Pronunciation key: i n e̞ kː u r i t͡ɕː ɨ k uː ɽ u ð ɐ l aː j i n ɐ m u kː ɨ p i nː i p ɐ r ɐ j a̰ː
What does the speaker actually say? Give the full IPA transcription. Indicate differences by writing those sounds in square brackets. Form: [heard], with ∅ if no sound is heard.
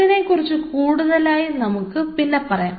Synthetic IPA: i n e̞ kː u r i t͡ɕː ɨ k uː ɽ u ð ɐ l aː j i n ɐ m u kː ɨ p i nː [e] p ɐ r ɐ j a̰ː